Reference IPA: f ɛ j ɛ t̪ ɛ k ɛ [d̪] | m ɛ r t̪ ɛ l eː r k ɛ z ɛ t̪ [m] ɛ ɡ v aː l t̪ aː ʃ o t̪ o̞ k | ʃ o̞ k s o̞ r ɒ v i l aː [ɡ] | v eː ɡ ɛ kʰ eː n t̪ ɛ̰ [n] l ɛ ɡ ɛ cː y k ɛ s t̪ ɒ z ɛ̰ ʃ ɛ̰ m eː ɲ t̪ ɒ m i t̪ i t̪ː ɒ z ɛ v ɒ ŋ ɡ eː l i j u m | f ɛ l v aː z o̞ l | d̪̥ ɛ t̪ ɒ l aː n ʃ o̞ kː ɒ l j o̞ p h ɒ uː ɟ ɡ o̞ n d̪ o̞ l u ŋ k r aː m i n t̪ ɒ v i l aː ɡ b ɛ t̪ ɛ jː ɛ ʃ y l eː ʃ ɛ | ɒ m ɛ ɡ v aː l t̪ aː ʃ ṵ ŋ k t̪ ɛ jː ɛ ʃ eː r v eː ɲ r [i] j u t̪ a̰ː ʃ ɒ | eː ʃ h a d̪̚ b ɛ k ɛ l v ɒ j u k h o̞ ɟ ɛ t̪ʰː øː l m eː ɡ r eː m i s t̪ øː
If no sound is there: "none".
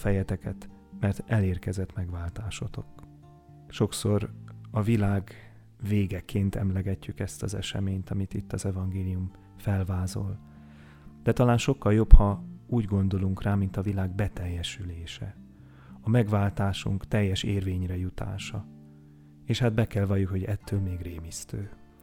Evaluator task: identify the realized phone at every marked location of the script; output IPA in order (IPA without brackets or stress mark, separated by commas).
t̪, m, ɡ, m, ɛ